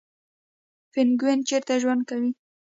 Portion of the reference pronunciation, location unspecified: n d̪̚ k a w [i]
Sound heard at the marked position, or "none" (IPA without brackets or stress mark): i